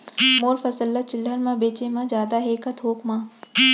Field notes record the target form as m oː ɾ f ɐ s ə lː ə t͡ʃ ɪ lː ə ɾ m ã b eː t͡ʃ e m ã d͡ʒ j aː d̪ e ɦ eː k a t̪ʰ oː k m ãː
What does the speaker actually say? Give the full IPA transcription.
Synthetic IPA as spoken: m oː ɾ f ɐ s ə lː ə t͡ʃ ɪ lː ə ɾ m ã b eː t͡ʃ e m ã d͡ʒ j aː d̪ a ɦ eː k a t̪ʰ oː k m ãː